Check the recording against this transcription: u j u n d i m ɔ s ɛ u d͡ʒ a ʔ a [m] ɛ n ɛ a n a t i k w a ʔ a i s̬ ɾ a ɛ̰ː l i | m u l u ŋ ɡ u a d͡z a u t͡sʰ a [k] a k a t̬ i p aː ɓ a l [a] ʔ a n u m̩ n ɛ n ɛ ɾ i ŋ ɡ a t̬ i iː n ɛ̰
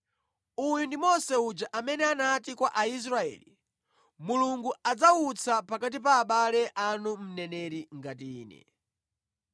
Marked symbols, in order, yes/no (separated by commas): yes, no, no